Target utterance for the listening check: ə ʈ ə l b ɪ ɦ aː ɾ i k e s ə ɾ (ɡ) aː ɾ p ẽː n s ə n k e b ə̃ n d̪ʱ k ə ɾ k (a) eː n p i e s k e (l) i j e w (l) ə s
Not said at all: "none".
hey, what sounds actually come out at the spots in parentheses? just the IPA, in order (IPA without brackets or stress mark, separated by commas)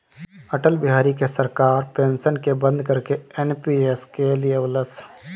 k, e, l, l